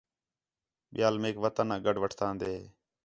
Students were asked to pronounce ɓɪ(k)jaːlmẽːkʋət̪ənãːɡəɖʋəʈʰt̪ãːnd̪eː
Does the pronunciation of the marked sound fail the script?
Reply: yes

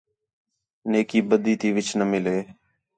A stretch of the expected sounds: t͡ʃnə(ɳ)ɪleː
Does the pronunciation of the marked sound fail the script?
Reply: yes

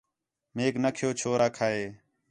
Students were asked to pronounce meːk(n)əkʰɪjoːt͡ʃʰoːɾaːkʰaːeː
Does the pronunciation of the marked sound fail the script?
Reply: no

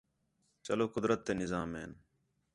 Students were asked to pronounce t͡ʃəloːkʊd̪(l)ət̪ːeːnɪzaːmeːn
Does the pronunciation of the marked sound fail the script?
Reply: yes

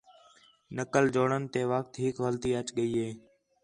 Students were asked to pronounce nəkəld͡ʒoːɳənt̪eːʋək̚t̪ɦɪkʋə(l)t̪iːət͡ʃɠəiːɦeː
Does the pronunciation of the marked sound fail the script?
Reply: no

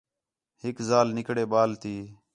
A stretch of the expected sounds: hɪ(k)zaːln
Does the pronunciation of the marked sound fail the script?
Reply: no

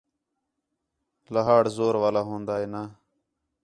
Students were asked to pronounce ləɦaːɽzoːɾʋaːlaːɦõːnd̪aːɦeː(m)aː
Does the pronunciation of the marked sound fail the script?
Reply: yes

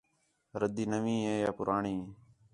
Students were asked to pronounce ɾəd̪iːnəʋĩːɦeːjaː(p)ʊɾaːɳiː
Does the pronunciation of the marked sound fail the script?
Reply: no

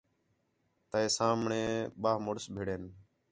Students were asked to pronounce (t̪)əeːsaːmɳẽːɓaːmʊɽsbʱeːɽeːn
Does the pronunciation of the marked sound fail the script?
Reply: no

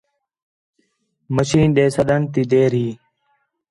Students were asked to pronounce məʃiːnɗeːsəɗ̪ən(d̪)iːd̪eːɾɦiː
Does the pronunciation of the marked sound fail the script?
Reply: yes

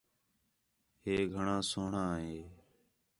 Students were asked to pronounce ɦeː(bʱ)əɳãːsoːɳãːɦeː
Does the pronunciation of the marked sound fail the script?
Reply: yes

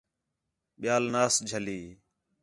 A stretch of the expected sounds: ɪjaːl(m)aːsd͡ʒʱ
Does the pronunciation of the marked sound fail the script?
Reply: yes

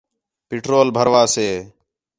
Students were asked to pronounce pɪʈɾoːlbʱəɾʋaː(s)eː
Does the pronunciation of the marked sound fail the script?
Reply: no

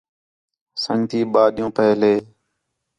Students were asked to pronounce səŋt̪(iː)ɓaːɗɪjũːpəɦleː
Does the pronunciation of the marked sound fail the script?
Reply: no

